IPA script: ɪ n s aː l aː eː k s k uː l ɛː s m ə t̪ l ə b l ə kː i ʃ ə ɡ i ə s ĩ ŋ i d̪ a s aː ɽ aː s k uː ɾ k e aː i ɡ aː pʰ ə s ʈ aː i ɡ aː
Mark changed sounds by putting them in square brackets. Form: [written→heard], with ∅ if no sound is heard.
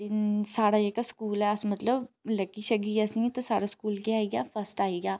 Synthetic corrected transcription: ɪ n s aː [l→ɽ] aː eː k s k uː l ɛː s m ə t̪ l ə b l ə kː i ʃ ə ɡ i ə s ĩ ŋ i [d̪→t̪] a s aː ɽ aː s k uː [ɾ→l] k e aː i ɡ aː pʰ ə s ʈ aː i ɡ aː